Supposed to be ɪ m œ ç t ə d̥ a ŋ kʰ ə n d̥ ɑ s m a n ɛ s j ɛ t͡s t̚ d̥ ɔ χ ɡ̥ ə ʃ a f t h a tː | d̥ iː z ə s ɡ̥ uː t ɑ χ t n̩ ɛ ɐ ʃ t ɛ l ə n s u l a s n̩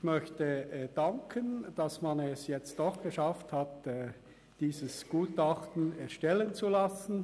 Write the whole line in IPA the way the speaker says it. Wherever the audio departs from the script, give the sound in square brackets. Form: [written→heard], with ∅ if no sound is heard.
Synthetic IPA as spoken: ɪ m œ ç t ə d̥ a ŋ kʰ ə n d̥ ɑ s m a n ɛ s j ɛ t͡s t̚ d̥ ɔ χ ɡ̥ ə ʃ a f t h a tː | d̥ iː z ə s ɡ̥ uː t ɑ χ t n̩ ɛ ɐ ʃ t ɛ l ə n [s→t͡s] u l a s n̩